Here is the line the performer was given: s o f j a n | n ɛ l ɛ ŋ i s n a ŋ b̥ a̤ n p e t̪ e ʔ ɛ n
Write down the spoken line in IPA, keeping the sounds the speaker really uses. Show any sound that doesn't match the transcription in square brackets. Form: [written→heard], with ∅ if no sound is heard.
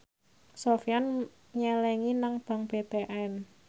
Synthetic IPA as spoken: s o f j a n | [n→ɲ] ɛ l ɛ ŋ i [s→∅] n a ŋ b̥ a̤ [n→ŋ] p e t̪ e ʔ ɛ n